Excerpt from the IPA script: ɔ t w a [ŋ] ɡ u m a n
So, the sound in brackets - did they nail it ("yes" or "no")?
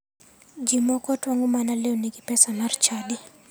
yes